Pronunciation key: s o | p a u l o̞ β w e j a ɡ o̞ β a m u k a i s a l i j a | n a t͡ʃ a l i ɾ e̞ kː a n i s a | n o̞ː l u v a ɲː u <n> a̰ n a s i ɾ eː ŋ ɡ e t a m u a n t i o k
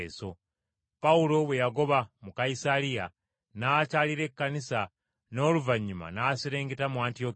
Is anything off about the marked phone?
yes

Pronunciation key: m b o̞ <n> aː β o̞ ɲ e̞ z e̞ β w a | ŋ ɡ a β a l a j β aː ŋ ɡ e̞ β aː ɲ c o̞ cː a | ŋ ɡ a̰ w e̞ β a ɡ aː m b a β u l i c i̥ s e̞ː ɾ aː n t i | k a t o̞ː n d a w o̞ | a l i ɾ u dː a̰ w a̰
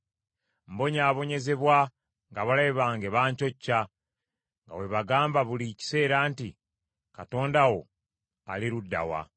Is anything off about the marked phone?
yes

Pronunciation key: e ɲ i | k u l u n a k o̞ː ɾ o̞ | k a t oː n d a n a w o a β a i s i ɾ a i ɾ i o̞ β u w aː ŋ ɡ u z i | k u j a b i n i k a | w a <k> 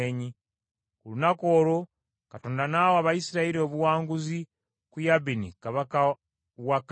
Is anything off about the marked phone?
no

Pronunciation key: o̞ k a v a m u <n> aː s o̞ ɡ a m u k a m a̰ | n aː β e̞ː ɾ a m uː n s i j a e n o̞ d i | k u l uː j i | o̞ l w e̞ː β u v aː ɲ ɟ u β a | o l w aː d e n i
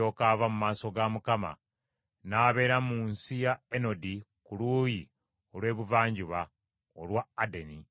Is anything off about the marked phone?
yes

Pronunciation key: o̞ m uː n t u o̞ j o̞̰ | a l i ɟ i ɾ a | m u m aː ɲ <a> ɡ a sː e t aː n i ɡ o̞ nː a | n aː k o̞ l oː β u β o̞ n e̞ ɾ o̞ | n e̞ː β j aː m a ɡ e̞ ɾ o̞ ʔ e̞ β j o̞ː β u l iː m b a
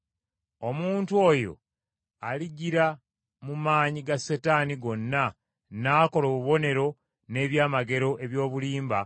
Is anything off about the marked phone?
yes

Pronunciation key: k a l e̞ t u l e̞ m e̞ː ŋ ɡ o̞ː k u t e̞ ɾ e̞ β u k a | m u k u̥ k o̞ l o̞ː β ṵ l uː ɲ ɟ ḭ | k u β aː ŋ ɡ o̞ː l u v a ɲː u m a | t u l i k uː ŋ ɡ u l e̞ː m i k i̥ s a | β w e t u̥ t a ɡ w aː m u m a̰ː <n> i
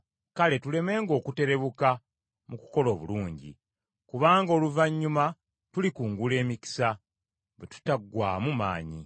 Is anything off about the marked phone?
yes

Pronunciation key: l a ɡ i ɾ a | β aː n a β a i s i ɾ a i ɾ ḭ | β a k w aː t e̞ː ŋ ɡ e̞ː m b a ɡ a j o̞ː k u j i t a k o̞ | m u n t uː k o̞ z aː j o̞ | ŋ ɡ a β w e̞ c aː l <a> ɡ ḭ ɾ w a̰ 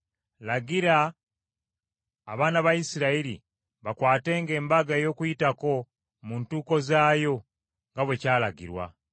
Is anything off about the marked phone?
no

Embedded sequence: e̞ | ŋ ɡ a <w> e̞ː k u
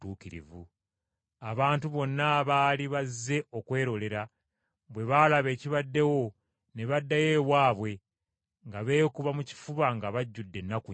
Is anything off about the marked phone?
yes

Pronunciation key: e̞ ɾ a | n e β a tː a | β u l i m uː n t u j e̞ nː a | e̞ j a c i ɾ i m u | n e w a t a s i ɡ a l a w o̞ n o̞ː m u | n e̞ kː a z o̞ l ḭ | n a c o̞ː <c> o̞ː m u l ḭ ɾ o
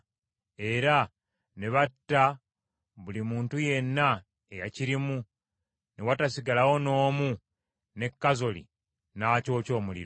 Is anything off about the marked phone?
no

